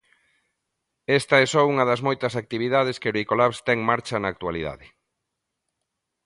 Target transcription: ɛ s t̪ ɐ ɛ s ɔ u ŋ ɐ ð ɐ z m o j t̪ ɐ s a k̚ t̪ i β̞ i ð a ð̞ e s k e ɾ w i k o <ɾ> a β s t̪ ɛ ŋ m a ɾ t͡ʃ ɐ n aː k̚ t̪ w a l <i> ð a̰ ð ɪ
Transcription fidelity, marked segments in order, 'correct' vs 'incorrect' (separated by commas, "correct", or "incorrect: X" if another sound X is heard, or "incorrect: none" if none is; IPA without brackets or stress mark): incorrect: l, correct